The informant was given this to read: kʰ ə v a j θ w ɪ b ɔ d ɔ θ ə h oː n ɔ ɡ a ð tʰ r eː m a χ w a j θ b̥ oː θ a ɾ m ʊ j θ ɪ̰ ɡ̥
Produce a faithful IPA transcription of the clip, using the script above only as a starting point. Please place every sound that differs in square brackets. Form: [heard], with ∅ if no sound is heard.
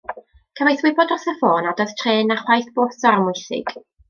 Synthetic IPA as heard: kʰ ə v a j θ w ɪ b ɔ d ɔ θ ə [f] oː n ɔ [d] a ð tʰ r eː [n] a χ w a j θ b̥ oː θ a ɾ m ʊ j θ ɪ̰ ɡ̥